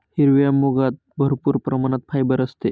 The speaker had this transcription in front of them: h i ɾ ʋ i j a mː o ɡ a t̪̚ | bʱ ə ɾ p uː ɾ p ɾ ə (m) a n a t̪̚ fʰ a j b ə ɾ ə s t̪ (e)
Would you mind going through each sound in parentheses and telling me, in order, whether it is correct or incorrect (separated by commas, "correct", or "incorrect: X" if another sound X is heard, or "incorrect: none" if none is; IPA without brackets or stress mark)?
correct, correct